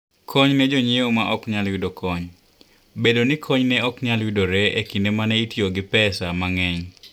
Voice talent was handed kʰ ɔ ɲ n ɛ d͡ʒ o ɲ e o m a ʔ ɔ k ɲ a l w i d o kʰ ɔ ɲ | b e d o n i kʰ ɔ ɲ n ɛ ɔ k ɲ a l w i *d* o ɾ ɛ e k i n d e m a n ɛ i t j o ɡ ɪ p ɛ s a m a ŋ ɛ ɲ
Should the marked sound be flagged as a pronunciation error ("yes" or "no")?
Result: no